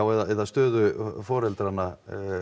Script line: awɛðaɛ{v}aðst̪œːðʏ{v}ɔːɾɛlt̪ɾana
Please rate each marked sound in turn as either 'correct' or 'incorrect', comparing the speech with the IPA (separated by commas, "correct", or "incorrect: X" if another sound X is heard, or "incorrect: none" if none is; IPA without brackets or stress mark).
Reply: incorrect: ð, incorrect: f